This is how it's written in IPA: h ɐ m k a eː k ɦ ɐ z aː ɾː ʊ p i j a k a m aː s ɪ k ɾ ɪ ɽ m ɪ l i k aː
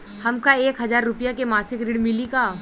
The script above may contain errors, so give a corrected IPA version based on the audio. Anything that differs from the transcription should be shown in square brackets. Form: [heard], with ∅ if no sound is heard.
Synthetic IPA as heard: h ɐ m k a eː k ɦ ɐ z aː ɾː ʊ p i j a k [e] m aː s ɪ k ɾ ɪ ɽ m ɪ l i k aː